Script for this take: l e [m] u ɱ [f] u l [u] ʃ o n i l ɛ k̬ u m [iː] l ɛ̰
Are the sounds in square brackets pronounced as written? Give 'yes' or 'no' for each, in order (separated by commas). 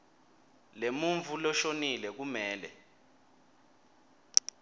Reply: yes, no, no, no